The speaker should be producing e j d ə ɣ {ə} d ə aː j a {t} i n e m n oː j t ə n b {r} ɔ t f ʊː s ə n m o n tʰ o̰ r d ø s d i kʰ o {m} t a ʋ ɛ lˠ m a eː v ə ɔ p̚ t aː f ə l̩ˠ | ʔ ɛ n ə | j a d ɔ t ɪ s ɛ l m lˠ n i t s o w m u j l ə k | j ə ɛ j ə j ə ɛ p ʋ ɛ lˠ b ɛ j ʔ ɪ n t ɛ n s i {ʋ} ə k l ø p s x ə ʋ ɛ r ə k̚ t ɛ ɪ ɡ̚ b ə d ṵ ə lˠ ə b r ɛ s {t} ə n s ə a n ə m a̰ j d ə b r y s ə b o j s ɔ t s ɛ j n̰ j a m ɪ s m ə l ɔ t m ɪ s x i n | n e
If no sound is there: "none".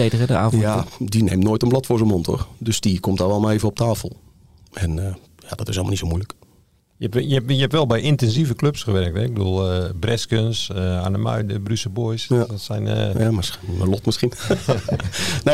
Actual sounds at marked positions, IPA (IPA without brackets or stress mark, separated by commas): ə, d, l, m, v, k